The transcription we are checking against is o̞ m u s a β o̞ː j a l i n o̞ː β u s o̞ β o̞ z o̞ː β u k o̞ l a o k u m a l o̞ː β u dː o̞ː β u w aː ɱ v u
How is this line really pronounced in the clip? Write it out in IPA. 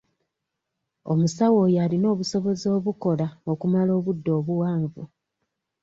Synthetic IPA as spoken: o̞ m u s a w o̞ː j a l i n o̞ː β u s o̞ β o̞ z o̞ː β u k o̞ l a o k u m a l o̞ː β u dː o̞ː β u w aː ɱ v u